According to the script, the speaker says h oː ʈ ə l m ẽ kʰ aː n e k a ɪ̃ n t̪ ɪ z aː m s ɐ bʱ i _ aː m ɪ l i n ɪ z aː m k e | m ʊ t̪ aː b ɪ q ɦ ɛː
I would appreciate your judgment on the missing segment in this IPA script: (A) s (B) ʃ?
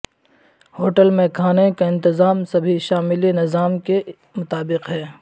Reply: B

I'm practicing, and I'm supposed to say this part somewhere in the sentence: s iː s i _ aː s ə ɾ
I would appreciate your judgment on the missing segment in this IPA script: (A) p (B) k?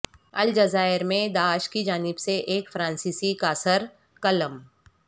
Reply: B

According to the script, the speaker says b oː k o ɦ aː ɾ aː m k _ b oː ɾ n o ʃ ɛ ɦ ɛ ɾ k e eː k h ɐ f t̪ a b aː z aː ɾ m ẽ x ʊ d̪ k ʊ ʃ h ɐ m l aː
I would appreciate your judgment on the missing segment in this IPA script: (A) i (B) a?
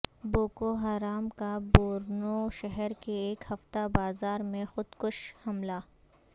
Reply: B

